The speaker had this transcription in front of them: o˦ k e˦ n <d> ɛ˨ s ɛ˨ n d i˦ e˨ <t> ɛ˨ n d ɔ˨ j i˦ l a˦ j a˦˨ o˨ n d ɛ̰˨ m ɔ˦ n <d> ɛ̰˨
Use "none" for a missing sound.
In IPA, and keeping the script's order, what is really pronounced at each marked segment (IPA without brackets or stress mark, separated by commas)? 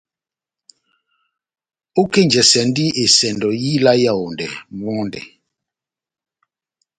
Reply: d͡ʒ, s, d